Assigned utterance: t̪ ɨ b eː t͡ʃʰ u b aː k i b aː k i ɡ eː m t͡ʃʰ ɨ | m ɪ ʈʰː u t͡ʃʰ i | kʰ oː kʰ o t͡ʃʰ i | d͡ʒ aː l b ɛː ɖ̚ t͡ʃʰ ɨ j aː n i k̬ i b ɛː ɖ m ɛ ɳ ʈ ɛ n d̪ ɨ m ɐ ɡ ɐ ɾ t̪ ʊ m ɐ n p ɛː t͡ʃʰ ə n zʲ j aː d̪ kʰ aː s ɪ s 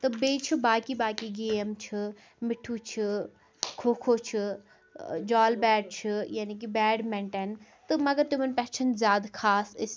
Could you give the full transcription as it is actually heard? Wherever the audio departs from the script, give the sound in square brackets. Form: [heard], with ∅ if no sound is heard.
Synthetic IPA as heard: t̪ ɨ b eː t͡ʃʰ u b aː k i b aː k i ɡ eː m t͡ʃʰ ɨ | m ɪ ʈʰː u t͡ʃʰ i | kʰ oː kʰ o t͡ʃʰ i | d͡ʒ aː l b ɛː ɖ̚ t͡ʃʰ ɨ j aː n i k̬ i b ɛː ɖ m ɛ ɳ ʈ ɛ n [t̪] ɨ m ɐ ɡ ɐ ɾ t̪ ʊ m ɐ n p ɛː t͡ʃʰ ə n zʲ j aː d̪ kʰ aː s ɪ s